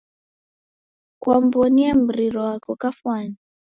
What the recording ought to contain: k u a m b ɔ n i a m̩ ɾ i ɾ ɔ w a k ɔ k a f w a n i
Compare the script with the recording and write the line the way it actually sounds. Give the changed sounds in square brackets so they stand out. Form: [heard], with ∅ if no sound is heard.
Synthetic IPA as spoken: k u a m b ɔ n i a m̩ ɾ i ɾ ɔ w a k ɔ k a f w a n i